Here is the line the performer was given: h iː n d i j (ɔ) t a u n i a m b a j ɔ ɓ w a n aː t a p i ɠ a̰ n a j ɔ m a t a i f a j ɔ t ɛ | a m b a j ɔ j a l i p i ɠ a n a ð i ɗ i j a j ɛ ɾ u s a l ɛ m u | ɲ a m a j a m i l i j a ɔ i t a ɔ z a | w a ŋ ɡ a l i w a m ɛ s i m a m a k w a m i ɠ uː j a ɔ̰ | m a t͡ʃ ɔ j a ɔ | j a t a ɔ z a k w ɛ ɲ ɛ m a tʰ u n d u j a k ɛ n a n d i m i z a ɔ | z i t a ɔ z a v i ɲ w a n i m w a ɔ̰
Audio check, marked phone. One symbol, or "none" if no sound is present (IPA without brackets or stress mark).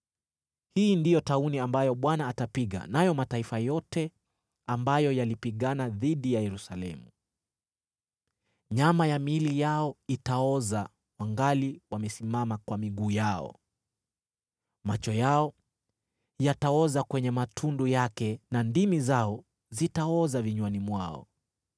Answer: ɔ